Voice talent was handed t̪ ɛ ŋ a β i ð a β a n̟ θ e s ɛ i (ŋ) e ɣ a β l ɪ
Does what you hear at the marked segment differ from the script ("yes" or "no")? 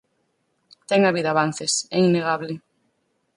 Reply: yes